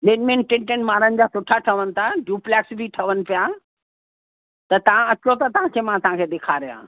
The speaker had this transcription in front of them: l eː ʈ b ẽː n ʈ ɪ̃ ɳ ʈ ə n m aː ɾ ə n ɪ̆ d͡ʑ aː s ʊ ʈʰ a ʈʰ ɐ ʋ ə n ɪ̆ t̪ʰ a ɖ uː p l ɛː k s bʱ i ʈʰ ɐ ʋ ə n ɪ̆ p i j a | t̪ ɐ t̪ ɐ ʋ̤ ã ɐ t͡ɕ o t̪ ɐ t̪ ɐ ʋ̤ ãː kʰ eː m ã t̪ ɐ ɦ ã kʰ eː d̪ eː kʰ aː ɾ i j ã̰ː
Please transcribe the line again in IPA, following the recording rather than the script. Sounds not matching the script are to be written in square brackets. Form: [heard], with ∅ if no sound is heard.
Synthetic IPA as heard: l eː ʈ [m] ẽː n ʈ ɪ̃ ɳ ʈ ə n m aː ɾ ə n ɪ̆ d͡ʑ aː s ʊ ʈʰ a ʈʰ ɐ ʋ ə n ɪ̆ t̪ʰ a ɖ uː p l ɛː k s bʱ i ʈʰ ɐ ʋ ə n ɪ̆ p i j a | t̪ ɐ t̪ ɐ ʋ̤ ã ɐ t͡ɕ o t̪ ɐ t̪ ɐ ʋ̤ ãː kʰ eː m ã t̪ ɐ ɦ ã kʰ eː d̪ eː kʰ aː ɾ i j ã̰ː

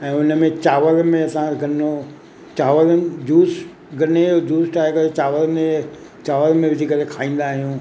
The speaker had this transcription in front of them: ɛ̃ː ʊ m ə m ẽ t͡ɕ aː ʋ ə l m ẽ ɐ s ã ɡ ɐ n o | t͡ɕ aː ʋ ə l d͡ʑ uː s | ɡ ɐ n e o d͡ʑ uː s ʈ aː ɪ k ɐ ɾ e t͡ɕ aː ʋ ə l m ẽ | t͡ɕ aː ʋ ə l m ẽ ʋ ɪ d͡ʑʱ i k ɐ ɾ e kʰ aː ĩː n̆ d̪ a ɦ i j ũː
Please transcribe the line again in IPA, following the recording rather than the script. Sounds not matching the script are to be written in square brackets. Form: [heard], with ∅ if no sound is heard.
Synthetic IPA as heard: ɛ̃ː ʊ [n] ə m ẽ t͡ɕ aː ʋ ə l m ẽ ɐ s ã ɡ ɐ n o | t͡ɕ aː ʋ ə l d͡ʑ uː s | ɡ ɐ n e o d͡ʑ uː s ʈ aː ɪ k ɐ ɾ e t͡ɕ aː ʋ ə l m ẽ | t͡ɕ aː ʋ ə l m ẽ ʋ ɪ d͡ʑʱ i k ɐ ɾ e kʰ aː ĩː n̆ d̪ a ɦ i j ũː

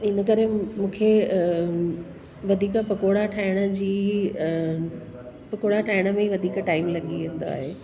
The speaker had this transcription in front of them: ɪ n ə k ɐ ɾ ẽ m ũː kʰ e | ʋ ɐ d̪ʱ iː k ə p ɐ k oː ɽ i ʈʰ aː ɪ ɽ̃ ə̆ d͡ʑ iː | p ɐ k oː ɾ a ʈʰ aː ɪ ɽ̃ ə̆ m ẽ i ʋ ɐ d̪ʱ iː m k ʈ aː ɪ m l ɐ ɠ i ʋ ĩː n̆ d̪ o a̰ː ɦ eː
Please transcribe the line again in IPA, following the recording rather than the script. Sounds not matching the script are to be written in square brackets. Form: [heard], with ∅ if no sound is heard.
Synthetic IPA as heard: ɪ n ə k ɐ ɾ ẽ m ũː kʰ e | ʋ ɐ d̪ʱ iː k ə p ɐ k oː ɽ [a] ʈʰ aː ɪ ɽ̃ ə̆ d͡ʑ iː | p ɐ k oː [ɽ] a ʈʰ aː ɪ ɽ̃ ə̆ m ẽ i ʋ ɐ d̪ʱ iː [∅] k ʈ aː ɪ m l ɐ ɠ i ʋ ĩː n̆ d̪ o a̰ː ɦ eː

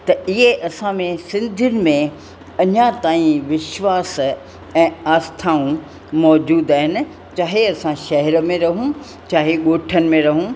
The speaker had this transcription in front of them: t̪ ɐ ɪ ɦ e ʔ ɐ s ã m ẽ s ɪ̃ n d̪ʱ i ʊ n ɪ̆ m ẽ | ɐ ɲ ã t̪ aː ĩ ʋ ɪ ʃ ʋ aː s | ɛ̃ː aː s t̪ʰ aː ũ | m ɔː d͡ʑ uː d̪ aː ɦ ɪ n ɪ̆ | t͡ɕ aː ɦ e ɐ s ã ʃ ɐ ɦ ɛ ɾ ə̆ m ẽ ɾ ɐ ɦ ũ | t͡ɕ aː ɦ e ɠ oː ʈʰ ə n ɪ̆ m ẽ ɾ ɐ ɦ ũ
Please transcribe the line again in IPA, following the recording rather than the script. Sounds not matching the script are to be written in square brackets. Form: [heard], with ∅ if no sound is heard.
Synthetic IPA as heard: t̪ ɐ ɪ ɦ e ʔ ɐ s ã m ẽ s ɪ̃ n d̪ʱ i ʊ n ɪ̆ m ẽ | ɐ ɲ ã t̪ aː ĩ ʋ ɪ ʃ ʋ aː s | ɛ̃ː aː s t̪ʰ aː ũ | m ɔː d͡ʑ uː d̪ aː ɦ ɪ n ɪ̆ | t͡ɕ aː ɦ e ɐ s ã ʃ ɐ ɦ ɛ ɾ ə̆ m ẽ ɾ ɐ ɦ ũ | t͡ɕ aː ɦ e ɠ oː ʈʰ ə n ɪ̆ m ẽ ɾ ɐ ɦ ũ

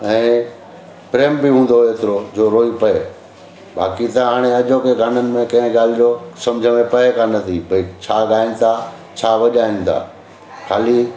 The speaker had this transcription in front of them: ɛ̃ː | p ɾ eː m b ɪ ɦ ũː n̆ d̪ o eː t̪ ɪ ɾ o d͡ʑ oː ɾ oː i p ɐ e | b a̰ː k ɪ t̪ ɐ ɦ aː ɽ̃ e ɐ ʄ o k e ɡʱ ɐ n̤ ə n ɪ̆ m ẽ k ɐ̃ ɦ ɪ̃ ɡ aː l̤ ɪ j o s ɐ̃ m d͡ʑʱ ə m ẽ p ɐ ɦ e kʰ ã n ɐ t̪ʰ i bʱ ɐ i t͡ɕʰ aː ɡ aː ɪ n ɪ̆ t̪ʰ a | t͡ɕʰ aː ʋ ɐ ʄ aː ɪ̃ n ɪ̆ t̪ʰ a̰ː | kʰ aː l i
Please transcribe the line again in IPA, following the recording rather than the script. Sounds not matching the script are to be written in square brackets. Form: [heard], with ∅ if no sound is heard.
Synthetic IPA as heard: ɛ̃ː | p ɾ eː m b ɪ ɦ ũː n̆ d̪ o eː t̪ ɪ ɾ o d͡ʑ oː ɾ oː i p ɐ e | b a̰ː k [i] t̪ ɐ ɦ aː ɽ̃ e ɐ ʄ o k e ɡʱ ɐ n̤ ə n ɪ̆ m ẽ k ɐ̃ ɦ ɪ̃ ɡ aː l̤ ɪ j o s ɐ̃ m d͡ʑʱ ə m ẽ p ɐ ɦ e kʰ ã n ɐ t̪ʰ i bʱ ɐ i t͡ɕʰ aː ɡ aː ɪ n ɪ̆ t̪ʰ a | t͡ɕʰ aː ʋ ɐ ʄ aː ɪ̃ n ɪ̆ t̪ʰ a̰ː | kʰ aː l i

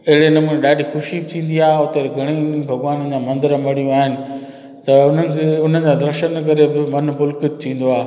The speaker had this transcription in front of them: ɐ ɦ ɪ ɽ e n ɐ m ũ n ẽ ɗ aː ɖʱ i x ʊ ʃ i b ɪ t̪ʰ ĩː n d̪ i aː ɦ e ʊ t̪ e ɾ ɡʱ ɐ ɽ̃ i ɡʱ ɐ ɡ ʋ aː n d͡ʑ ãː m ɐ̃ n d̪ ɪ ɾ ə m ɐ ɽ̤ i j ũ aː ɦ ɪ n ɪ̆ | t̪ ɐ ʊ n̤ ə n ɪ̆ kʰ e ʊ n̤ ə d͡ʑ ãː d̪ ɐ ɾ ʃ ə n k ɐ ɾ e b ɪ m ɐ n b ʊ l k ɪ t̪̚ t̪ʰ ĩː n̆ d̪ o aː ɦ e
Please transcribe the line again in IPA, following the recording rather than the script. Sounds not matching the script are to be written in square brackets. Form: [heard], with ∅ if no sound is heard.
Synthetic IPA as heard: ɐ ɦ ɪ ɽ e n ɐ m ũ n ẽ ɗ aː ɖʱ i x ʊ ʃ i b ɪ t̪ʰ ĩː n d̪ i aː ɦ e ʊ t̪ e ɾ ɡʱ ɐ ɽ̃ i [bʱ] ɐ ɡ ʋ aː n d͡ʑ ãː m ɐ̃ n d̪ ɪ ɾ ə m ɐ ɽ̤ i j ũ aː ɦ ɪ n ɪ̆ | t̪ ɐ ʊ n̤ ə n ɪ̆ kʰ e ʊ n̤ ə d͡ʑ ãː d̪ ɐ ɾ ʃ ə n k ɐ ɾ e b ɪ m ɐ n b ʊ l k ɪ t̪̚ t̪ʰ ĩː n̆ d̪ o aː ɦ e

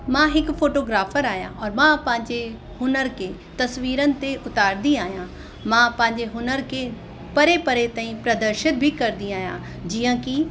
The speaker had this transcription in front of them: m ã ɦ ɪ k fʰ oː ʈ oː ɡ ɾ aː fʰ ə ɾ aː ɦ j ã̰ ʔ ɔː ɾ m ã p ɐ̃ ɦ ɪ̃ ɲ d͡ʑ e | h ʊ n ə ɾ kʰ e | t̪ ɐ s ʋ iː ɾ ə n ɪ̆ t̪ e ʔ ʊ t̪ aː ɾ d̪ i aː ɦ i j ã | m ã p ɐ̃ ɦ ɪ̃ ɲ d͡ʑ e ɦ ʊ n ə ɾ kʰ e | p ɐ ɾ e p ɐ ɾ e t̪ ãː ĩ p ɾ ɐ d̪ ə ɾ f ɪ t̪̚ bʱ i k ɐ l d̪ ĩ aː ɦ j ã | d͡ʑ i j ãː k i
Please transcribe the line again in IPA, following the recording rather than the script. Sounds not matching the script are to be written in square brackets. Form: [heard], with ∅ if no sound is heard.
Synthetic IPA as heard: m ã ɦ ɪ k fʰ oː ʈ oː ɡ ɾ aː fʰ ə ɾ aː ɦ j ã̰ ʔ ɔː ɾ m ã p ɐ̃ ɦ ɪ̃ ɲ d͡ʑ e | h ʊ n ə ɾ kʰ e | t̪ ɐ s ʋ iː ɾ ə n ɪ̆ t̪ e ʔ ʊ t̪ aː ɾ d̪ i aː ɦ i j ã | m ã p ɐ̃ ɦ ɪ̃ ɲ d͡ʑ e ɦ ʊ n ə ɾ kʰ e | p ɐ ɾ e p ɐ ɾ e t̪ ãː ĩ p ɾ ɐ d̪ ə ɾ [ʃ] ɪ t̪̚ bʱ i k ɐ [ɾ] d̪ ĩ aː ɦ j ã | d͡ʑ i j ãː k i

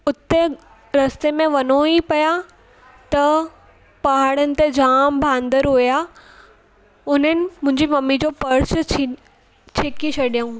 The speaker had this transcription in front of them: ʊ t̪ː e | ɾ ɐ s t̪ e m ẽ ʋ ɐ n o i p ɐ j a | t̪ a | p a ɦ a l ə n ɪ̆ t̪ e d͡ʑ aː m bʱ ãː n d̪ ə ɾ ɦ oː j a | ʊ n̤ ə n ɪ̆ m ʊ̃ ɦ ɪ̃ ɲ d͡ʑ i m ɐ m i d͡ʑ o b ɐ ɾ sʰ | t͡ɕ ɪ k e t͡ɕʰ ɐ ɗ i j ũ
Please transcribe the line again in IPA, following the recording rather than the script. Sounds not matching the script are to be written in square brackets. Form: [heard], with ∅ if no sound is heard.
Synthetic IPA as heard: ʊ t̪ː e | ɾ ɐ s t̪ e m ẽ ʋ ɐ n o i p ɐ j a | t̪ [ɐ] | p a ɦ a [ɽ] ə n ɪ̆ t̪ e d͡ʑ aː m bʱ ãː n d̪ ə ɾ ɦ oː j a | ʊ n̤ ə n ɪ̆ m ʊ̃ ɦ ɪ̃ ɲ d͡ʑ i m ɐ m i d͡ʑ o [p] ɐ ɾ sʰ | [t͡ɕʰ] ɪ k [i] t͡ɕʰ ɐ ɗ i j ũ

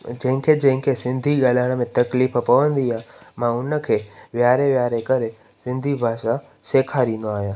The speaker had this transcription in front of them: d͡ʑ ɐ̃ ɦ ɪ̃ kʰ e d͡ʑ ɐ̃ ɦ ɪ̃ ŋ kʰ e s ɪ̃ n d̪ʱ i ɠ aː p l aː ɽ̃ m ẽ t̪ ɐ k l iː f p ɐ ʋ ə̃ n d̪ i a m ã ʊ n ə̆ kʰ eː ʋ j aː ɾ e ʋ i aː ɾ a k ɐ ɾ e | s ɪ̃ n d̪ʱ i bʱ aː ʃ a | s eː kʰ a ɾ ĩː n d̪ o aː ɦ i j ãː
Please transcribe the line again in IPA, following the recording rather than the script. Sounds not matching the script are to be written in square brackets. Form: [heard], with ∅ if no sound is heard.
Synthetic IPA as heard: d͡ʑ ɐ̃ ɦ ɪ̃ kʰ e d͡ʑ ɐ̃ ɦ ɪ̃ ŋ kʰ e s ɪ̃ n d̪ʱ i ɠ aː [∅] l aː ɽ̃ m ẽ t̪ ɐ k l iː f p ɐ ʋ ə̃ n d̪ i a m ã ʊ n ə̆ kʰ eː ʋ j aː ɾ e ʋ [j] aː ɾ [e] k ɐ ɾ e | s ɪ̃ n d̪ʱ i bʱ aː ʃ a | s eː kʰ a ɾ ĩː n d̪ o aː ɦ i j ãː

